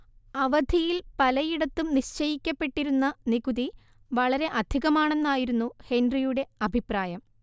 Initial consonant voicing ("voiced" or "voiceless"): voiced